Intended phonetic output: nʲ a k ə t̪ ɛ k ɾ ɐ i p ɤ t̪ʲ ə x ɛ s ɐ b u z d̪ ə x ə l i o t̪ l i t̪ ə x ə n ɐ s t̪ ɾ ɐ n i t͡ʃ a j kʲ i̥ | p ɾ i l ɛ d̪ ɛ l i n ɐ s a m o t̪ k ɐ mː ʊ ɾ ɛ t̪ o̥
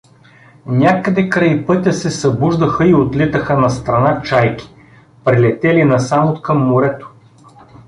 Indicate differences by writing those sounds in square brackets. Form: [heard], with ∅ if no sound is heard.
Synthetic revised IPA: nʲ a k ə [d̪] ɛ k ɾ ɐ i p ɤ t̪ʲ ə [s] ɛ s ɐ b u [ʒ] d̪ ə x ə [∅] i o t̪ l i t̪ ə x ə n ɐ s t̪ ɾ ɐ n [a] t͡ʃ a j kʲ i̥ | p ɾ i l ɛ [t̪] ɛ l i n ɐ s a m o t̪ k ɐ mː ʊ ɾ ɛ t̪ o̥